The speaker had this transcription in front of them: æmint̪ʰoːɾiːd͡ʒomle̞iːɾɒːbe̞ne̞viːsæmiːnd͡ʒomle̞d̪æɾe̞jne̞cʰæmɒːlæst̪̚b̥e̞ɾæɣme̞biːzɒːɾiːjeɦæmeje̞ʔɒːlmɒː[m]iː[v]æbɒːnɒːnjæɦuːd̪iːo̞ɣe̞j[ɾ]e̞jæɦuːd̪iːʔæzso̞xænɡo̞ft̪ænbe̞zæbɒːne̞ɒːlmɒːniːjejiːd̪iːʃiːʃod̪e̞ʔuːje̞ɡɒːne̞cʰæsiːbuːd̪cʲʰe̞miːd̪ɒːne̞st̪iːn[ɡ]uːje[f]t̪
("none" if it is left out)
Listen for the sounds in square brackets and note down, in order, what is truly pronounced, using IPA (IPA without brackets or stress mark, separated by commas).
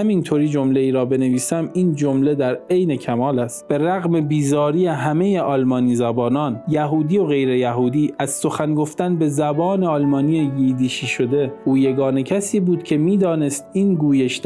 n, z, ɾ, ɡ, ʃ